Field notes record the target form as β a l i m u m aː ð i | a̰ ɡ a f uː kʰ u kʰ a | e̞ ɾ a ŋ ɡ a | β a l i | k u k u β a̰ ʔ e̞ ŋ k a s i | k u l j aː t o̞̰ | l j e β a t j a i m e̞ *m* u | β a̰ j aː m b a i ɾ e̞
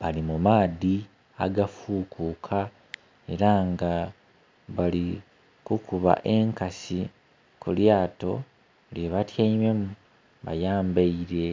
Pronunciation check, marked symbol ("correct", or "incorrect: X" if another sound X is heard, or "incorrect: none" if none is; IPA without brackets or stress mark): correct